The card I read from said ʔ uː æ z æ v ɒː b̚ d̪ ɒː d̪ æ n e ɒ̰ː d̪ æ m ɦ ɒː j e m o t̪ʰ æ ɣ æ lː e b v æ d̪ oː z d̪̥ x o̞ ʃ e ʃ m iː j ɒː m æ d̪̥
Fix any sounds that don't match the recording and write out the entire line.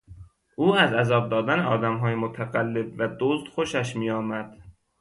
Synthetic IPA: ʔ uː æ z æ z ɒː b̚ d̪ ɒː d̪ æ n e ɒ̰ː d̪ æ m ɦ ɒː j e m o t̪ʰ æ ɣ æ lː e b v æ d̪ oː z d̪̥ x o̞ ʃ æ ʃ m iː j ɒː m æ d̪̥